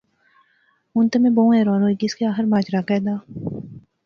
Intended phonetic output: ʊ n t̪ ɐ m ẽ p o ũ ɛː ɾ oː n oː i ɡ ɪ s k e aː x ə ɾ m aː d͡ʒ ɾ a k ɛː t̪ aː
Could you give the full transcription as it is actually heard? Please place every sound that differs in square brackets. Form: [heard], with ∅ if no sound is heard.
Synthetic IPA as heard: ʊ n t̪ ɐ m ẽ [b] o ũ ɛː ɾ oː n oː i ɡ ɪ s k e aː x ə ɾ m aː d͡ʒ ɾ a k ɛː [d̪] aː